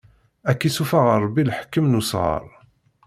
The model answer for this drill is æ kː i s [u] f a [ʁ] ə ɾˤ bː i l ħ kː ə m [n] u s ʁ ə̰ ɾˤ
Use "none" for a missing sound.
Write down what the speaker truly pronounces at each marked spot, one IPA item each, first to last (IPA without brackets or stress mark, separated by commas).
u, ʁ, n